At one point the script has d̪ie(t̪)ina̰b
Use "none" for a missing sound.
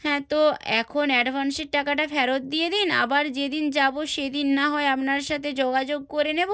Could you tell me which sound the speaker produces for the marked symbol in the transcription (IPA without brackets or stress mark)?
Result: d̪